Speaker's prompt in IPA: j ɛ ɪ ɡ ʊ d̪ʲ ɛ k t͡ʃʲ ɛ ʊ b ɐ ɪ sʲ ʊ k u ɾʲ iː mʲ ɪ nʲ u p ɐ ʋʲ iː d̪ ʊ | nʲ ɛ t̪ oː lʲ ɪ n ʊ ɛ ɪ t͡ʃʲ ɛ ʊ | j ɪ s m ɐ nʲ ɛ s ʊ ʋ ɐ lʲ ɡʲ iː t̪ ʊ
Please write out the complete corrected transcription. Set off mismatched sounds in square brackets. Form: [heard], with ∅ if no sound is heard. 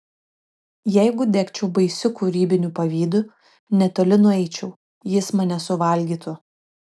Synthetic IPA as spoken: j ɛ ɪ ɡ ʊ d̪ʲ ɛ k t͡ʃʲ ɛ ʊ b ɐ ɪ sʲ ʊ k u ɾʲ iː [bʲ] ɪ nʲ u p ɐ ʋʲ iː d̪ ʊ | nʲ ɛ t̪ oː lʲ ɪ n ʊ ɛ ɪ t͡ʃʲ ɛ ʊ | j ɪ s m ɐ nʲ ɛ s ʊ ʋ ɐ lʲ ɡʲ iː t̪ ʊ